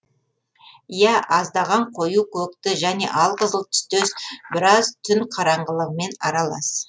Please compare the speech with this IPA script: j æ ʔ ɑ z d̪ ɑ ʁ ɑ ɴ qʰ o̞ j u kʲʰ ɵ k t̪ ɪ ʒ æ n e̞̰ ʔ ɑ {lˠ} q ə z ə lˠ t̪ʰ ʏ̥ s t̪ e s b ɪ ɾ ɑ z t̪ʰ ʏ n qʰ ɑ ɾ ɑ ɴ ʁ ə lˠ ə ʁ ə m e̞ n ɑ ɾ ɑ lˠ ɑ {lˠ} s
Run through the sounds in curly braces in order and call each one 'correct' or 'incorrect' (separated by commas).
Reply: correct, incorrect